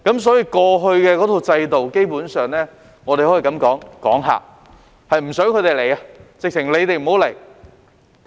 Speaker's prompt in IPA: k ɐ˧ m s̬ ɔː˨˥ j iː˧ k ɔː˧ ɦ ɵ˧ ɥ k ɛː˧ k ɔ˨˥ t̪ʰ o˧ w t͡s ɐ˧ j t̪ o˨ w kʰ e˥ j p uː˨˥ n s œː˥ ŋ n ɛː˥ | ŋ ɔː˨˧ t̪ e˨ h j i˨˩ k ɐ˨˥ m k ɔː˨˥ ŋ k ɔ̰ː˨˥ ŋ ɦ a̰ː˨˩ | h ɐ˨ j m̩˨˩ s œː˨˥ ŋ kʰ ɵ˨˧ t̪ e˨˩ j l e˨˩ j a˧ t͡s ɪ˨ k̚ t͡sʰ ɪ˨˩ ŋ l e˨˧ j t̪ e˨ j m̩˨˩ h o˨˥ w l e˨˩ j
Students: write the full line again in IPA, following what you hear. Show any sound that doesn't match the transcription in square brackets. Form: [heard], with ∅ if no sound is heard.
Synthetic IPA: k [ɐ˨˥] m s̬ ɔː˨˥ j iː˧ k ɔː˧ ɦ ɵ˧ ɥ k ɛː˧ k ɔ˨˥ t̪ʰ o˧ w t͡s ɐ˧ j t̪ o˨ w [k] e˥ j p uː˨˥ n s [œː˨] ŋ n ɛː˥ | ŋ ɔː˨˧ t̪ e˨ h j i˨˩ k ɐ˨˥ m k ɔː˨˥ ŋ k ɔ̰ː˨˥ ŋ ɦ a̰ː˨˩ | h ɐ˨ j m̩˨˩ s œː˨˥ ŋ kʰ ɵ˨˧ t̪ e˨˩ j l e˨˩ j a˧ t͡s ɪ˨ k̚ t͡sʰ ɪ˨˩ ŋ l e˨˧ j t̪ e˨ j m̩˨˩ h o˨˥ w l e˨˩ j